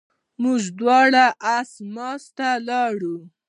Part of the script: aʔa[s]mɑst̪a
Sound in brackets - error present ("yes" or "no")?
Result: no